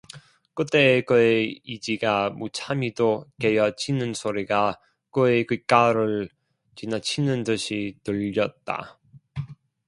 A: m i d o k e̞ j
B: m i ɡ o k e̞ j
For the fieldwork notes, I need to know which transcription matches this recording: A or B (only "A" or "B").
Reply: A